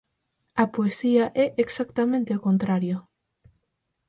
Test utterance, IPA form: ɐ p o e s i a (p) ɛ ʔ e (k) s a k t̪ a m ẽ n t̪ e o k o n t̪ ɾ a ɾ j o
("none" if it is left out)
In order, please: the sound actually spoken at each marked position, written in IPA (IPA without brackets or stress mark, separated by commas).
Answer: ʔ, k